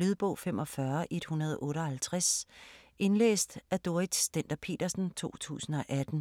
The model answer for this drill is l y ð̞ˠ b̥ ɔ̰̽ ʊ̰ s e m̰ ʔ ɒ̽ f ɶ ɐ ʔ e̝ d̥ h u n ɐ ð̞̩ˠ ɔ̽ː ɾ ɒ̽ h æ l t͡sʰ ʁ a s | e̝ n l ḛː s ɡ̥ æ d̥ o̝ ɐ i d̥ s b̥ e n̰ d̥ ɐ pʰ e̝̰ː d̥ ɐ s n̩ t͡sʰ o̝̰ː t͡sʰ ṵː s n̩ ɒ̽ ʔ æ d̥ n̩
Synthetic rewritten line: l y ð̞ˠ b̥ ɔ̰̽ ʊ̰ f e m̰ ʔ ɒ̽ f ɶ ɐ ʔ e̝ d̥ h u n ɐ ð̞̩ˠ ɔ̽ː ɾ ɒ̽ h æ l t͡sʰ ʁ a s | e̝ n l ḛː s d̥ æ d̥ o̝ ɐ i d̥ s d̥ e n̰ d̥ ɐ pʰ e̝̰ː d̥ ɐ s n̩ t͡sʰ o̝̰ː t͡sʰ ṵː s n̩ ɒ̽ ʔ æ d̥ n̩